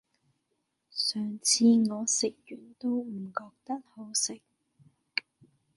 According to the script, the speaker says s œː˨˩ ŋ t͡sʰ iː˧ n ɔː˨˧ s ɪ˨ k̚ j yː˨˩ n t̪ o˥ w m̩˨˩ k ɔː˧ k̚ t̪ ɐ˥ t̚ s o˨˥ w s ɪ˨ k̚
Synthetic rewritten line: s œː˨˩ ŋ t͡sʰ iː˧ ŋ ɔː˨˧ s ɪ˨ k̚ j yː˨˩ n t̪ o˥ w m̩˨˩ k ɔː˧ k̚ t̪ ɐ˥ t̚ h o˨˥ w s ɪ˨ k̚